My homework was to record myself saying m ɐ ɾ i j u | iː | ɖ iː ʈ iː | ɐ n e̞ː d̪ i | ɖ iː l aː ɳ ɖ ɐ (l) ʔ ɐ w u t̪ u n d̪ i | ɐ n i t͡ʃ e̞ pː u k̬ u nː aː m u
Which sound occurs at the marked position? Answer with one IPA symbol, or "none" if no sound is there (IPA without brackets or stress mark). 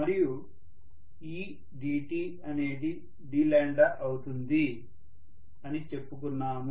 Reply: none